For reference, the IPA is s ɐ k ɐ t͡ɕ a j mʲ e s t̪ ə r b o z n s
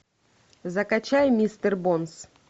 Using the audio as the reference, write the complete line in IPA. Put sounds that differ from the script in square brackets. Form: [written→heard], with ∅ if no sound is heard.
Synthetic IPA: [s→z] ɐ k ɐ t͡ɕ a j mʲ [e→i] s t̪ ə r b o [z→∅] n s